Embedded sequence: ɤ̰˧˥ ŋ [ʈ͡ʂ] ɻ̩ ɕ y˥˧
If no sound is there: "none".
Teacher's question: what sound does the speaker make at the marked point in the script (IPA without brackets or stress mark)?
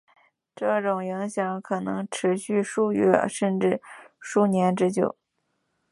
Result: ʈ͡ʂʰ